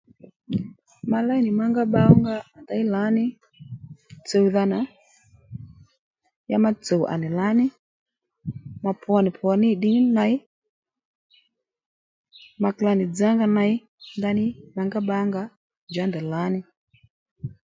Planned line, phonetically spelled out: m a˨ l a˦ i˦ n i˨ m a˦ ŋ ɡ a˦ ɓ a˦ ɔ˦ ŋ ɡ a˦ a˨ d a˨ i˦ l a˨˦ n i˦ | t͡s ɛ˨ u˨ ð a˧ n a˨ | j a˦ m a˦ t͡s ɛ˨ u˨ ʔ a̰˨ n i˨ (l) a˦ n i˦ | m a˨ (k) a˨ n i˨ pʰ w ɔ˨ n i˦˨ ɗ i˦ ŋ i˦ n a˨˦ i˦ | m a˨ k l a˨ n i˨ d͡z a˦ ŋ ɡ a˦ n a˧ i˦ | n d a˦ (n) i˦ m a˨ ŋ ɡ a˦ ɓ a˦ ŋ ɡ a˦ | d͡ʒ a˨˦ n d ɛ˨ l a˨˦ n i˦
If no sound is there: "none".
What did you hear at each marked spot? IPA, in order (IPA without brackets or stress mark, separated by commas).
l, p, n